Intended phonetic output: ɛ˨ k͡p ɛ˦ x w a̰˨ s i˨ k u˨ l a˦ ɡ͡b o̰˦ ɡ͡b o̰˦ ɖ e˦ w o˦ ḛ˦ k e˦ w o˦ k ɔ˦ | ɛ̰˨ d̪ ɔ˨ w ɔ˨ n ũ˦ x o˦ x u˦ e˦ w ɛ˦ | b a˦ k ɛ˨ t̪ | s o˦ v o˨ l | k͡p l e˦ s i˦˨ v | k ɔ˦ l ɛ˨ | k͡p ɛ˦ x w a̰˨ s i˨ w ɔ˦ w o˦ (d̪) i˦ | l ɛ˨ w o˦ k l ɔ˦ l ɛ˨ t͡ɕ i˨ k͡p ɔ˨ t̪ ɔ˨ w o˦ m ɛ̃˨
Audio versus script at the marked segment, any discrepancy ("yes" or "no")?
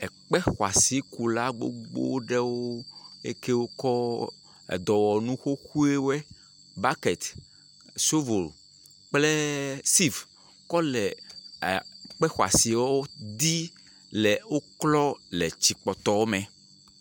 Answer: no